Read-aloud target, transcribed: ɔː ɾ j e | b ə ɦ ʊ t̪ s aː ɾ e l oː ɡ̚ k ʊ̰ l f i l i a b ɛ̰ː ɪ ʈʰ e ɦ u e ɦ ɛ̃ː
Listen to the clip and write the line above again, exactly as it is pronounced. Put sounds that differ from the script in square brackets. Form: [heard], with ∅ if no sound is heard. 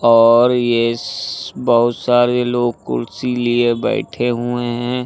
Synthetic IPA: ɔː ɾ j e | b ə ɦ ʊ t̪ s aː ɾ e l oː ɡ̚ k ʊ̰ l [s] i l i [e] b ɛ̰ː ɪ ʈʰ e ɦ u e ɦ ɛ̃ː

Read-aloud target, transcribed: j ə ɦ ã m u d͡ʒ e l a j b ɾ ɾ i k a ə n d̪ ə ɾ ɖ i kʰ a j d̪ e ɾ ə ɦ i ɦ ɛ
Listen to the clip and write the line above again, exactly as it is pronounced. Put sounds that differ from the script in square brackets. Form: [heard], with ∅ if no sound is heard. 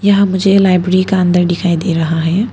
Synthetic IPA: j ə ɦ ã m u d͡ʒ e l a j b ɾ ɾ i k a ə n d̪ ə ɾ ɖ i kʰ a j d̪ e ɾ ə ɦ [a] ɦ ɛ

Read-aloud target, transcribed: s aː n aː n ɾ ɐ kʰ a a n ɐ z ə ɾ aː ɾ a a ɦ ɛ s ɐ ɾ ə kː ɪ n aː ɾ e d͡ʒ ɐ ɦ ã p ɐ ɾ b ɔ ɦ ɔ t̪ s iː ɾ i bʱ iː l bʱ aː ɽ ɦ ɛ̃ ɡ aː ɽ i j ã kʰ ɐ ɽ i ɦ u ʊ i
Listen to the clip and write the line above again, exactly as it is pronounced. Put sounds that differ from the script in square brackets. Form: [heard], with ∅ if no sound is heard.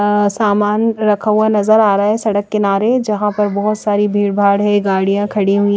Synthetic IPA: s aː [m] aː n ɾ ɐ kʰ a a n ɐ z ə ɾ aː ɾ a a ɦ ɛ s ɐ [ɽ] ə kː ɪ n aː ɾ e d͡ʒ ɐ ɦ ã p ɐ ɾ b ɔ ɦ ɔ t̪ s [aː] ɾ i bʱ iː [ɽ] bʱ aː ɽ ɦ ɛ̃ ɡ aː ɽ i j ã kʰ ɐ ɽ i ɦ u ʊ i

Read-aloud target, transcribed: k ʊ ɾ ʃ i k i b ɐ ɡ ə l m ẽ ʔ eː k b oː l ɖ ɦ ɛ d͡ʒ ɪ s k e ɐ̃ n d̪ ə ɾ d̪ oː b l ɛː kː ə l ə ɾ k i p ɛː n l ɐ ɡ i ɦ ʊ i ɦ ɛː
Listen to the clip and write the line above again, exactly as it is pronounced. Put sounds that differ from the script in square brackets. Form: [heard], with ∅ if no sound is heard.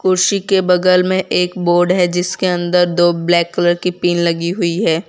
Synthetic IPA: k ʊ ɾ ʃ i k [e] b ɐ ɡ ə l m ẽ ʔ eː k b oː [ɾ] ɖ ɦ ɛ d͡ʒ ɪ s k e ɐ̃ n d̪ ə ɾ d̪ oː b l ɛː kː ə l ə ɾ k i p [iː] n l ɐ ɡ i ɦ ʊ i ɦ ɛː

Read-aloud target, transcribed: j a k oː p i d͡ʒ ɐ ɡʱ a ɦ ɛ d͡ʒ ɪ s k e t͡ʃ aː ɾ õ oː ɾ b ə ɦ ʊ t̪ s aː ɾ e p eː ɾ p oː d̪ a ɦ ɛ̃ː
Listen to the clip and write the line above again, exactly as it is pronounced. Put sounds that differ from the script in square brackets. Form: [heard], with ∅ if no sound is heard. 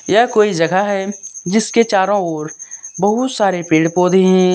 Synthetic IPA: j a k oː [∅] i d͡ʒ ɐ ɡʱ a ɦ ɛ d͡ʒ ɪ s k e t͡ʃ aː ɾ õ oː ɾ b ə ɦ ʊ t̪ s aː ɾ e p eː [ɽ] p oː d̪ [e] ɦ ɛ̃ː

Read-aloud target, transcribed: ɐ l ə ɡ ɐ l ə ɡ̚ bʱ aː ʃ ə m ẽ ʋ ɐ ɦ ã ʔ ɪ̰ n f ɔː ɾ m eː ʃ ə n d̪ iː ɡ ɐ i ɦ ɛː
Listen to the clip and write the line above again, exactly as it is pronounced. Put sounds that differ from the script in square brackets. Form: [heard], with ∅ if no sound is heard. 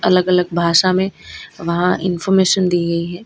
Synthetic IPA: ɐ l ə ɡ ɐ l ə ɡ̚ bʱ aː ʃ [a] m ẽ ʋ ɐ ɦ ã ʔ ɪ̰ n f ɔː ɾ m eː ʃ ə n d̪ iː ɡ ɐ i ɦ ɛː

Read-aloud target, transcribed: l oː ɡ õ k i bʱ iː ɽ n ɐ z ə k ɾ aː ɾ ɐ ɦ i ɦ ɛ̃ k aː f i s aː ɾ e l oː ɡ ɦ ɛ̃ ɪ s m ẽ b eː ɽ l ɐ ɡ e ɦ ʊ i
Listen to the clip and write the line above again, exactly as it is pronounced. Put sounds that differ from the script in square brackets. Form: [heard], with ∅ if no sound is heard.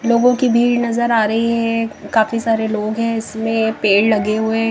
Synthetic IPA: l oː ɡ õ k i bʱ iː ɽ n ɐ z ə [∅] ɾ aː ɾ ɐ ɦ i ɦ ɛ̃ k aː f i s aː ɾ e l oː ɡ ɦ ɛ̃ ɪ s m ẽ [p] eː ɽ l ɐ ɡ e ɦ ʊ [e]

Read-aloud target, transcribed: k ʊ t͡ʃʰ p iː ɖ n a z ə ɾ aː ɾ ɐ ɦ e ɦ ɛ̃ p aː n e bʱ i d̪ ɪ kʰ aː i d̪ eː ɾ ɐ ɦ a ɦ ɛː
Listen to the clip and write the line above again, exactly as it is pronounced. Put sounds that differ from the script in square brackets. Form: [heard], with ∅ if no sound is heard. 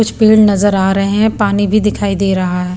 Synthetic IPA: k ʊ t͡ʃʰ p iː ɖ n [ɐ] z ə ɾ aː ɾ ɐ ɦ e ɦ ɛ̃ p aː n [i] bʱ i d̪ ɪ kʰ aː i d̪ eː ɾ ɐ ɦ a ɦ ɛː

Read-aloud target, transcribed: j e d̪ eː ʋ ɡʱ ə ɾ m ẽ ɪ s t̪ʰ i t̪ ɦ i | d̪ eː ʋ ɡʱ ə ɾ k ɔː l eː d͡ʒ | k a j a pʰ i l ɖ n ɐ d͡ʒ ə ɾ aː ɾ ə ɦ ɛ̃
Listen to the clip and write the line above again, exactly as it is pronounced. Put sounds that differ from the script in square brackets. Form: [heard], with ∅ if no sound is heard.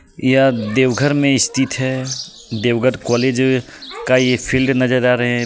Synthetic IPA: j [a] d̪ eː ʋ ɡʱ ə ɾ m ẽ ɪ s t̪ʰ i t̪ ɦ [ɛ] | d̪ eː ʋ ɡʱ ə ɾ k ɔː l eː d͡ʒ | k a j [e] pʰ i l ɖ n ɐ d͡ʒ ə ɾ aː ɾ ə ɦ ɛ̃

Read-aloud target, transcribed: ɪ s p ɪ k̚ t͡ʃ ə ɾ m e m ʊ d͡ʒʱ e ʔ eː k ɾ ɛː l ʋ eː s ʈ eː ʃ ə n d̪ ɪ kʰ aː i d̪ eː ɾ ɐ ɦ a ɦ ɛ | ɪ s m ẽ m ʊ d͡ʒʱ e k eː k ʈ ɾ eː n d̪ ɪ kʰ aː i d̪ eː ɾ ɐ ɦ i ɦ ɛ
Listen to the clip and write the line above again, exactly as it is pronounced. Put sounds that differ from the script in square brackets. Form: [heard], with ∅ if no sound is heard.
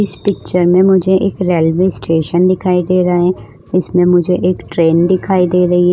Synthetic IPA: ɪ s p ɪ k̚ t͡ʃ ə ɾ m [ẽ] m ʊ d͡ʒʱ e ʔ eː k ɾ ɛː l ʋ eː s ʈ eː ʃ ə n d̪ ɪ kʰ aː i d̪ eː ɾ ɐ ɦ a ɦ ɛ | ɪ s m ẽ m ʊ d͡ʒʱ e [ʔ] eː k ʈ ɾ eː n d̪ ɪ kʰ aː i d̪ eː ɾ ɐ ɦ i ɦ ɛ

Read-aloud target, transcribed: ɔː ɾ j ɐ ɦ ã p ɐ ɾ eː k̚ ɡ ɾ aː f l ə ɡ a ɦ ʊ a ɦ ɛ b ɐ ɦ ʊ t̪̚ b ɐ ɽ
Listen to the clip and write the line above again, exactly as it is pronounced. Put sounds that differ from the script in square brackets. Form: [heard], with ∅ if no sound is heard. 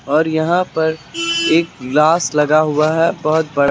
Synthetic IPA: ɔː ɾ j ɐ ɦ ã p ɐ ɾ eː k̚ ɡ [l] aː [s] l [ɐ] ɡ a ɦ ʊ a ɦ ɛ b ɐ ɦ ʊ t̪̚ b ɐ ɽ

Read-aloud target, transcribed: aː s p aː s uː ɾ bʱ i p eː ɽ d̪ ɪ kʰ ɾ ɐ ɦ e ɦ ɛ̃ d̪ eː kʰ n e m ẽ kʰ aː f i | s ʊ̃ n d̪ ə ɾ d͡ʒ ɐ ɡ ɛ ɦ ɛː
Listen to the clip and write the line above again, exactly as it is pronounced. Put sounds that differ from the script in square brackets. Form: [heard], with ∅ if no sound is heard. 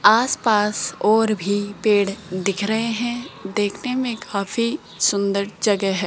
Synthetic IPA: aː s p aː s [ɔː] ɾ bʱ i p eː ɽ d̪ ɪ kʰ ɾ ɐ ɦ e ɦ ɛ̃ d̪ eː kʰ n e m ẽ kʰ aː f i | s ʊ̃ n d̪ ə ɾ d͡ʒ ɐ ɡ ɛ ɦ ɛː

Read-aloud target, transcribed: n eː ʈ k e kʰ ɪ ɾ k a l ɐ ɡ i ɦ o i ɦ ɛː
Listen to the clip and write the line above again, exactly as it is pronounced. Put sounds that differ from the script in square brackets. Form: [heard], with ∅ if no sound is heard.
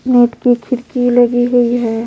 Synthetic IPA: n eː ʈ k [i] kʰ ɪ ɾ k [i] l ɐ ɡ i ɦ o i ɦ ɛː

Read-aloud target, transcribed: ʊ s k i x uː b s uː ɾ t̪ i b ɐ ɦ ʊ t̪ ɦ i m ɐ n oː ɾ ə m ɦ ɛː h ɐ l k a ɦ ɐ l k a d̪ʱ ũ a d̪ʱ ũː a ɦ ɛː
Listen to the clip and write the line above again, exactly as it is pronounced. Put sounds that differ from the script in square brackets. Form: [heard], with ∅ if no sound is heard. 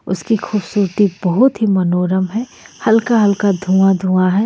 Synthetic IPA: ʊ s k i x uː b s uː ɾ t̪ i b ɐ ɦ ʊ t̪ ɦ i m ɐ n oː ɾ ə m ɦ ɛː h ɐ l k a ɦ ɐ l k a d̪ʱ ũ a d̪ʱ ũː a ɦ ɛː

